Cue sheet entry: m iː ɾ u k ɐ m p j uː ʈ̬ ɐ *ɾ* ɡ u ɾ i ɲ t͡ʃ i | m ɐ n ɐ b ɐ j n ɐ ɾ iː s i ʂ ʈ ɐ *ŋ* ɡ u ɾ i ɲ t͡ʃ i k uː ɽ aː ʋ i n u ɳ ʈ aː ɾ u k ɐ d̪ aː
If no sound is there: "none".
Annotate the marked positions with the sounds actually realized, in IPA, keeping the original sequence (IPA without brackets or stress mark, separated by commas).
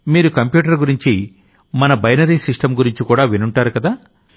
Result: ɾ, m